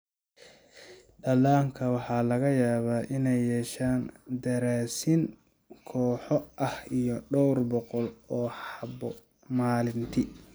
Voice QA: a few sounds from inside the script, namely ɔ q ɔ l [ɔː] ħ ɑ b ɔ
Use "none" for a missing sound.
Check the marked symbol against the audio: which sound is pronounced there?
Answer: ɔː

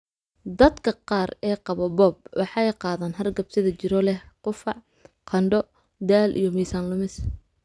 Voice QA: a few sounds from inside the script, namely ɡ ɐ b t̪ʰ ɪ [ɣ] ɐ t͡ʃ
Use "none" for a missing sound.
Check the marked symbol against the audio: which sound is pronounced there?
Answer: ð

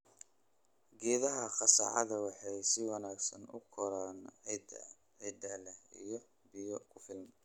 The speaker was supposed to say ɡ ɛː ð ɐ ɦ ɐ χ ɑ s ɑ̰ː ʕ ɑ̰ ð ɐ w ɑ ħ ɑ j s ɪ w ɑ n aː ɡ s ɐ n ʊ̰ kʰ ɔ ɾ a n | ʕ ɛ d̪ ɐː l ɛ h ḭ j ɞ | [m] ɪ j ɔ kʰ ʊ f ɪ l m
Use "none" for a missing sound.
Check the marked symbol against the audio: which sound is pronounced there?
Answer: b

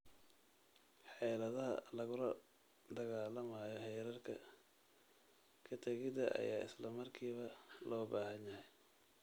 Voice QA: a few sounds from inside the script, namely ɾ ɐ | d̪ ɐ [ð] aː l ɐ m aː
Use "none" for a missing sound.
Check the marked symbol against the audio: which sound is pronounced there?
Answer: ɣ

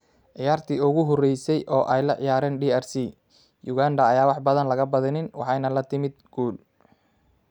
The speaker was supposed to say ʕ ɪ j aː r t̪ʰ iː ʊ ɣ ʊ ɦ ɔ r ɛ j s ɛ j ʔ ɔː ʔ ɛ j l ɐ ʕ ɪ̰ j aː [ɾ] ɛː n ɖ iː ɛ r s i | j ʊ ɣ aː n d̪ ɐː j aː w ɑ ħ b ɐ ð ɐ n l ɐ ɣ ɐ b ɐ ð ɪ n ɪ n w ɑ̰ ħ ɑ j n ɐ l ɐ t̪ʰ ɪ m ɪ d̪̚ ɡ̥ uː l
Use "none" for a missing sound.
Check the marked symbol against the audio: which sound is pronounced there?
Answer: ɾ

